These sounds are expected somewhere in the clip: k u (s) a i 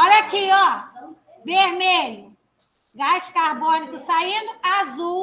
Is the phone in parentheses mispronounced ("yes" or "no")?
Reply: no